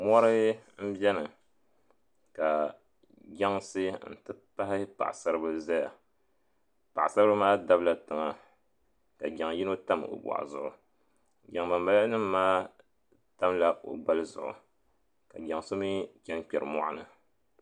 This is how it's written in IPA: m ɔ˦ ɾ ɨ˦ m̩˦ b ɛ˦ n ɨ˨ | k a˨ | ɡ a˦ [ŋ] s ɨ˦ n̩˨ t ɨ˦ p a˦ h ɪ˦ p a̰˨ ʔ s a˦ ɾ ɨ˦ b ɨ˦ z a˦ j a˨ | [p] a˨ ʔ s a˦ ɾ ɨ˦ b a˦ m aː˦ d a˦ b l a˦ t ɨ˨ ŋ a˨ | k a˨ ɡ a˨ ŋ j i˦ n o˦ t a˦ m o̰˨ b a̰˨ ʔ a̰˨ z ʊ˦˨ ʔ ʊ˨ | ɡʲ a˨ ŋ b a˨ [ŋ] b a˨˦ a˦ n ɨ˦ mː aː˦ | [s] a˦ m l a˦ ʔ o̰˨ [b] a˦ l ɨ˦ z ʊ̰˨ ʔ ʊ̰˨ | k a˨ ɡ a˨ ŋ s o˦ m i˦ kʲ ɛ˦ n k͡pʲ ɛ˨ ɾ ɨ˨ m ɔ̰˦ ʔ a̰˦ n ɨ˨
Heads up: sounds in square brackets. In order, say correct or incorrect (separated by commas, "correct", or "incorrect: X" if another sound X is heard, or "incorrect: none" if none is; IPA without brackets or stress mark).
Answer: correct, correct, incorrect: m, incorrect: t, correct